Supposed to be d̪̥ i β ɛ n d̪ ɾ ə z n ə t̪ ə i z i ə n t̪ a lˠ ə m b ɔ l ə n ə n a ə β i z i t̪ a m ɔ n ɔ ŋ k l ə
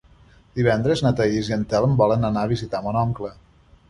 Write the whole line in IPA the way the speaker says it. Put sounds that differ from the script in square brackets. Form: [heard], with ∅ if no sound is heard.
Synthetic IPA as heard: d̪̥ i β ɛ n d̪ ɾ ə z n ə t̪ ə i z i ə n t̪ [ɛ] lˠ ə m b ɔ l ə n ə n a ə β i z i t̪ a m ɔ n ɔ ŋ k l ə